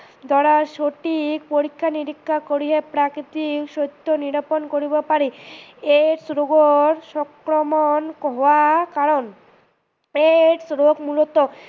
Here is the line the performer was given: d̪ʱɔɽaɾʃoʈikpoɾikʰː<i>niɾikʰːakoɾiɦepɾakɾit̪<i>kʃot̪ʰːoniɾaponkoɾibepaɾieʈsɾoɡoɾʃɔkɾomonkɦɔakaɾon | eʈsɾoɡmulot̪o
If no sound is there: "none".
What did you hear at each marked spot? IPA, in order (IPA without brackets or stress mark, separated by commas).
a, i